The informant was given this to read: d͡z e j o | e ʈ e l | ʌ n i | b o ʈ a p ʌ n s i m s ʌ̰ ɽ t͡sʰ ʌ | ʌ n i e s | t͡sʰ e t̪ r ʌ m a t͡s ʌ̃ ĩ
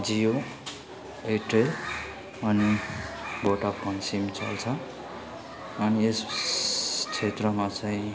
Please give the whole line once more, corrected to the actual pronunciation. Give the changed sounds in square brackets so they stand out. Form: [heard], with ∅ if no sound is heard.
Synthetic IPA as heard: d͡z [i] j o | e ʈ e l | ʌ n i | b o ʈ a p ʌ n s i m [t͡s] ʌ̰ [l] t͡sʰ ʌ | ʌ n i e s | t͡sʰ e t̪ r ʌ m a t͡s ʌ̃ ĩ